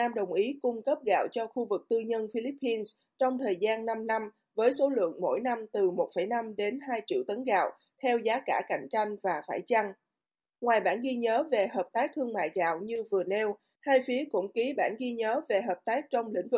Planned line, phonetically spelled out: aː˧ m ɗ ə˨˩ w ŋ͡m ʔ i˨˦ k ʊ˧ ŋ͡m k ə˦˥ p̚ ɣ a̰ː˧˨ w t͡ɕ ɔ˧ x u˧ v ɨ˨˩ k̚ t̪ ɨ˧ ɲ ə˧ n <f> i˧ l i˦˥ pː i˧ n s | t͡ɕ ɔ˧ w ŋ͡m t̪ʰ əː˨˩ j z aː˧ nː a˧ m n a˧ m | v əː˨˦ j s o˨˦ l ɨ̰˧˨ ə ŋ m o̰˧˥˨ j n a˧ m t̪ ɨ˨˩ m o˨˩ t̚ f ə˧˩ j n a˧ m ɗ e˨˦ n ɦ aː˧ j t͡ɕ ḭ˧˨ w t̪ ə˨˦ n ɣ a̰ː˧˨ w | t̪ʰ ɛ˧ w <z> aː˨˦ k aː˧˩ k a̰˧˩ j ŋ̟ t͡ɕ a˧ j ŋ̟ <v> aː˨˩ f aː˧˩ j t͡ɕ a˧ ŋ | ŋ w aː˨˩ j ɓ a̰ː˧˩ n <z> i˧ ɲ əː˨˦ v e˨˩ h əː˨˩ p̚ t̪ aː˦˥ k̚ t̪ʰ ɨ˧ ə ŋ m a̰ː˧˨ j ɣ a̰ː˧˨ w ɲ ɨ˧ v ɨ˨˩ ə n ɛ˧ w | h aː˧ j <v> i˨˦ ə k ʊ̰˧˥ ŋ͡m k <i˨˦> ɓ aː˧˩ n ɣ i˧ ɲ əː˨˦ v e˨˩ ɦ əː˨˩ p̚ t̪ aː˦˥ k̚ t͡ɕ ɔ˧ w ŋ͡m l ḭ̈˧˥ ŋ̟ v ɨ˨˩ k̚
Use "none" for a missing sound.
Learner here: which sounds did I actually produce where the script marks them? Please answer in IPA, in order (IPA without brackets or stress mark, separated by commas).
f, z, v, ɣ, f, i˨˦